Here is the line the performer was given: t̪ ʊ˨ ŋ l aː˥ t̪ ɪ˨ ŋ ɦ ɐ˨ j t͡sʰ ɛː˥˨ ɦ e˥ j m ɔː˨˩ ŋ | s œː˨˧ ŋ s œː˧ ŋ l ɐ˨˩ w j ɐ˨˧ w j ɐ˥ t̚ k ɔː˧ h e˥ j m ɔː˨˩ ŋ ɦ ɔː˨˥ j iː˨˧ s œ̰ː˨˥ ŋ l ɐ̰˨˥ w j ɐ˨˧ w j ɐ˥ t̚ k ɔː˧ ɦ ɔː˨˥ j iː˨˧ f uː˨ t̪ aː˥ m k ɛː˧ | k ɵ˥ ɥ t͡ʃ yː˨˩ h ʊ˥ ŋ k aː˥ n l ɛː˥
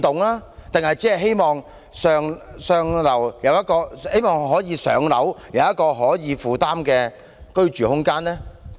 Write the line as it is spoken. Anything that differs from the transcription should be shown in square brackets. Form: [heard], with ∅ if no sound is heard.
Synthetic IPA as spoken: t̪ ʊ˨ ŋ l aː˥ t̪ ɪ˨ ŋ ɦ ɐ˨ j [t͡s] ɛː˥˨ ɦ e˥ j m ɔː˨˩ ŋ | s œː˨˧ ŋ s œː˧ ŋ l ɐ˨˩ w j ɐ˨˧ w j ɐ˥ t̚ k ɔː˧ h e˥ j m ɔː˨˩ ŋ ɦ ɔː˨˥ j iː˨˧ s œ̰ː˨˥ ŋ l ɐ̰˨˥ w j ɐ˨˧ w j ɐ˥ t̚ k ɔː˧ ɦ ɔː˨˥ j iː˨˧ f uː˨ t̪ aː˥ m k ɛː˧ | k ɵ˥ ɥ t͡ʃ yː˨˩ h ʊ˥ ŋ k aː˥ n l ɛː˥